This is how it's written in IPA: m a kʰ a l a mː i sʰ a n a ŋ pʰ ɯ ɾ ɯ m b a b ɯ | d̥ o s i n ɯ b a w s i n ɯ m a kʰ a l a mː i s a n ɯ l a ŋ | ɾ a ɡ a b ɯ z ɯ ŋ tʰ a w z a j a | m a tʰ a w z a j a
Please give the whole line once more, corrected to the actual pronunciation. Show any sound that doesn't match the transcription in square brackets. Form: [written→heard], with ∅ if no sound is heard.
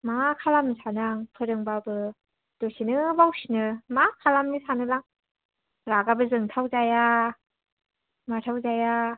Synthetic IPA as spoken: m a kʰ a l a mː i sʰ a n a ŋ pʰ ɯ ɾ ɯ [m→ŋ] b a b ɯ | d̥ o s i n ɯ b a w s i n ɯ m a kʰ a l a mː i s a n ɯ l a ŋ | ɾ a ɡ a b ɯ z ɯ ŋ tʰ a w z a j a | m a tʰ a w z a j a

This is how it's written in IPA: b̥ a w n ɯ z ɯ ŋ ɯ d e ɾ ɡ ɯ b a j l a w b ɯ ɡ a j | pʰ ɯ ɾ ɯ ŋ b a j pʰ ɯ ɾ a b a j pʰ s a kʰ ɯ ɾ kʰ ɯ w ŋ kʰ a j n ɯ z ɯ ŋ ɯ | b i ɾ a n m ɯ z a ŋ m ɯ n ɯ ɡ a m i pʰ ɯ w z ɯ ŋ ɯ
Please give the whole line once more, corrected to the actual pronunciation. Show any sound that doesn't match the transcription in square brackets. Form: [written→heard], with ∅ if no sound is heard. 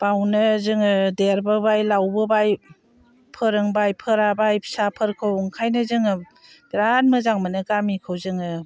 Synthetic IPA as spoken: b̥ a w n ɯ z ɯ ŋ ɯ d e ɾ [ɡ→b] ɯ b a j l a w b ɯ [ɡ→b] a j | pʰ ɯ ɾ ɯ ŋ b a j pʰ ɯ ɾ a b a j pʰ s a [kʰ→pʰ] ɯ ɾ kʰ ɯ w ŋ kʰ a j n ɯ z ɯ ŋ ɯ | b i ɾ a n m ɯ z a ŋ m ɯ n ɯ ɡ a m i [pʰ→kʰ] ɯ w z ɯ ŋ ɯ

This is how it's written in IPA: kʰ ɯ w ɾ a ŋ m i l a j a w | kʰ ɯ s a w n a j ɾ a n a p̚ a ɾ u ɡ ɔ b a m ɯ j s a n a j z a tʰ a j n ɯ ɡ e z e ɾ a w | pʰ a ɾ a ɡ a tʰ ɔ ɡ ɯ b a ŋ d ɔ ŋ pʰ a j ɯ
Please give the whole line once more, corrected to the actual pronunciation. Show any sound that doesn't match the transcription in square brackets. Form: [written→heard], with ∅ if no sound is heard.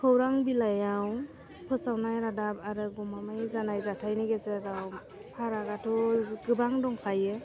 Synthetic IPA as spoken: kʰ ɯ w ɾ a ŋ [m→b] i l a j a w | [kʰ→pʰ] ɯ s a w n a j ɾ a [n→d] a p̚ a ɾ [u→ɯ] ɡ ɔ [b→m] a m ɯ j [s→z] a n a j z a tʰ a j n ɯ ɡ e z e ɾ a w | pʰ a ɾ a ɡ a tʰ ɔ ɡ ɯ b a ŋ d ɔ ŋ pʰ a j ɯ

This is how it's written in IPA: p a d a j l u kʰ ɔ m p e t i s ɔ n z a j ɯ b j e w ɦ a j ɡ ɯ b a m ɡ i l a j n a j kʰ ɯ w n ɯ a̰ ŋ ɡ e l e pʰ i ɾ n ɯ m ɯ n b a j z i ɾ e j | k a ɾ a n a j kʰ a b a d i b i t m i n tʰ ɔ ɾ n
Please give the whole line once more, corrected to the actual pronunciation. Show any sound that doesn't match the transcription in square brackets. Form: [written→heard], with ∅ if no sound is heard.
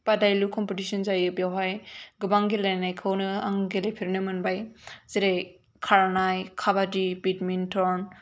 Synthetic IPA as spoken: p a d a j l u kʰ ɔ m p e t i s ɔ n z a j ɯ b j [e→a] w ɦ a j ɡ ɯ b a [m→ŋ] ɡ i l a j n a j kʰ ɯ w n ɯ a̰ ŋ ɡ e l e pʰ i ɾ n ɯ m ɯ n b a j z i ɾ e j | [k→kʰ] a ɾ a n a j kʰ a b a d i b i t m i n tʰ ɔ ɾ n

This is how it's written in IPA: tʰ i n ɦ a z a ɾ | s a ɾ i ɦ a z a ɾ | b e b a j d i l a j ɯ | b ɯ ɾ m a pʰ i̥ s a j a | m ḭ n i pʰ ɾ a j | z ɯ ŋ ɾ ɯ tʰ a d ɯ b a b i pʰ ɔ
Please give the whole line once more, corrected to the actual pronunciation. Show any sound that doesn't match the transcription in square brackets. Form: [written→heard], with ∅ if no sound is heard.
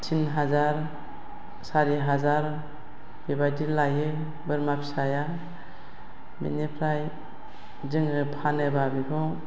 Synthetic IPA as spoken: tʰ i n ɦ a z a ɾ | s a ɾ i ɦ a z a ɾ | b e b a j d i l a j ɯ | b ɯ ɾ m a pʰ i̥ s a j a | m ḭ n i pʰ ɾ a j | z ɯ ŋ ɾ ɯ [tʰ→pʰ] a [d→n] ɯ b a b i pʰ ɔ

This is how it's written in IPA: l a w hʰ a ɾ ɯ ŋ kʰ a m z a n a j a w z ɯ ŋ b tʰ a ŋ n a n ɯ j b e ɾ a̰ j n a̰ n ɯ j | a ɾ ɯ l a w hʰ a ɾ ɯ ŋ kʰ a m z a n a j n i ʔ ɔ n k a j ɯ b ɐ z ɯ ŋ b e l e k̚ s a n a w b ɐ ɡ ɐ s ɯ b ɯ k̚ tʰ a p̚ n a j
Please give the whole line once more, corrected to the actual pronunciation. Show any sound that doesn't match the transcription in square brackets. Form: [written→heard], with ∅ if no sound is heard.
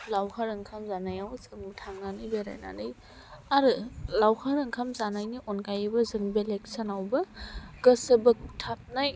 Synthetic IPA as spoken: l a w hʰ a ɾ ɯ ŋ kʰ a m z a n a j a w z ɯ ŋ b tʰ a ŋ n a n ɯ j b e ɾ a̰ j n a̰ n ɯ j | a ɾ ɯ l a w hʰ a ɾ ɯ ŋ kʰ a m z a n a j n i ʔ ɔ n k a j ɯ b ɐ z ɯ ŋ b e l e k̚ s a n a w b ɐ ɡ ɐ s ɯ b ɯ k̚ tʰ a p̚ n a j

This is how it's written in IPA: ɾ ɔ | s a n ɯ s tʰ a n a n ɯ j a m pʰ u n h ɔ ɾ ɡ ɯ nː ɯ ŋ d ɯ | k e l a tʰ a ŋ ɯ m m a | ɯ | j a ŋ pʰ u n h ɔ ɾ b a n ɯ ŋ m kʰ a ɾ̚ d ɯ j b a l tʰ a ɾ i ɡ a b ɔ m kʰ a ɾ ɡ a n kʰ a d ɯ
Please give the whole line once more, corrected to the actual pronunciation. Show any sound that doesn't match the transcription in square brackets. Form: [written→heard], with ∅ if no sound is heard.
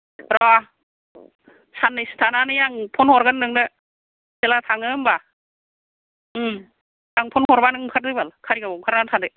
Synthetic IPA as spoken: ɾ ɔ | s a n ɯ s tʰ a n a n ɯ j a [m→ŋ] pʰ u n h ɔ ɾ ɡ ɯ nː ɯ ŋ d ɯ | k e l a tʰ a ŋ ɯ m [m→b] a | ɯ | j a ŋ pʰ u n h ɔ ɾ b a n ɯ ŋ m kʰ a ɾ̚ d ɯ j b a l [tʰ→kʰ] a ɾ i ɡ a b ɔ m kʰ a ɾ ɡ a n [kʰ→tʰ] a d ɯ

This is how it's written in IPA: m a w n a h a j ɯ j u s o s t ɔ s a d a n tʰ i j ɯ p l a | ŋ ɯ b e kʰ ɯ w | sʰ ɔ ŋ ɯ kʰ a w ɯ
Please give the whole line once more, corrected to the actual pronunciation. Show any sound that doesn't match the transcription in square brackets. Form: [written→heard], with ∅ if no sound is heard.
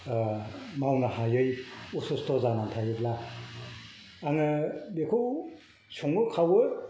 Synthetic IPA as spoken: m a w n a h a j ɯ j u s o s t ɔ [s→z] a [d→n] a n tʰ [i→a] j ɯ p l a | ŋ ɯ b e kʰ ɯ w | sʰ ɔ ŋ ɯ kʰ a w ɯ

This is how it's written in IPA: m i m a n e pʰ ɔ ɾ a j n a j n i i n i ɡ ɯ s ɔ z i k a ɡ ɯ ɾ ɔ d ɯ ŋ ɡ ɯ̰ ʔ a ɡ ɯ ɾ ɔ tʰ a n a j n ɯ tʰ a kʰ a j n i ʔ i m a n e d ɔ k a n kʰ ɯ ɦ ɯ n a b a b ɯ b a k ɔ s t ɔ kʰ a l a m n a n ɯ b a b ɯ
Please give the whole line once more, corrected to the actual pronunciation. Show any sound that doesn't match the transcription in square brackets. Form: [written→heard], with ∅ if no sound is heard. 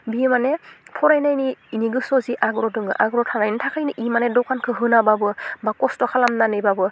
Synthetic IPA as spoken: [m→b] i m a n e pʰ ɔ ɾ a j n a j n i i n i ɡ ɯ s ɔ z i [k→ʔ] a ɡ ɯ ɾ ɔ d ɯ ŋ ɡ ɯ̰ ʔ a ɡ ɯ ɾ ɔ tʰ a n a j n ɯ tʰ a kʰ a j n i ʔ i m a n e d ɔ k a n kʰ ɯ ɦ ɯ n a b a b ɯ b a k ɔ s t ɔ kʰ a l a m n a n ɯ b a b ɯ

